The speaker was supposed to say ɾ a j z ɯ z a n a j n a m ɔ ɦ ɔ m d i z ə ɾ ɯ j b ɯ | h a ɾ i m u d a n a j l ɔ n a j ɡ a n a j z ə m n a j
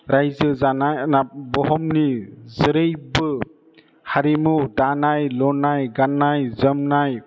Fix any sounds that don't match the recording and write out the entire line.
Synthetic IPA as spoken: ɾ a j z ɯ z a n a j n a b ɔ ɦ ɔ m n i z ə ɾ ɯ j b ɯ | h a ɾ i m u d a n a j l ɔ n a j ɡ a n a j z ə m n a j